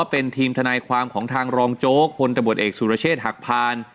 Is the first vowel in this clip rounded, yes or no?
no